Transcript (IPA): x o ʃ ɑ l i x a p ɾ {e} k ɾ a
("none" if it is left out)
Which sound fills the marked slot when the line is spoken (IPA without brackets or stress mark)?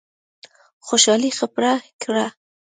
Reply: a